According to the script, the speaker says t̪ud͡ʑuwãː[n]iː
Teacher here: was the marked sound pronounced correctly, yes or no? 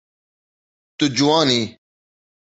yes